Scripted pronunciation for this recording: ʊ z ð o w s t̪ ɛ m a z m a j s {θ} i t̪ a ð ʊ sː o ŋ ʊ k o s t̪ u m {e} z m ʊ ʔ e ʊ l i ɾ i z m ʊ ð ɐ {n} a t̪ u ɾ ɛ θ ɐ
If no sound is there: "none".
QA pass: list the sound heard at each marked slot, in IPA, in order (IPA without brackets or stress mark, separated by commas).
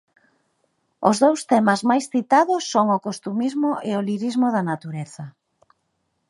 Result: θ, i, n